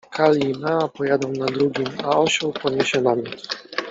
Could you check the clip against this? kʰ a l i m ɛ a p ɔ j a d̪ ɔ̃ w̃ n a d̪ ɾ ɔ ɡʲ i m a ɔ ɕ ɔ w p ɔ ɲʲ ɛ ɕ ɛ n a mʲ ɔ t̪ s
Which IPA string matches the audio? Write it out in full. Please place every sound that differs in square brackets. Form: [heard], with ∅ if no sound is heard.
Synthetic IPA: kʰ a l i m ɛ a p ɔ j a d̪ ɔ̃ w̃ n a d̪ ɾ [u] ɡʲ i m a ɔ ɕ ɔ w p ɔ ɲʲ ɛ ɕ ɛ n a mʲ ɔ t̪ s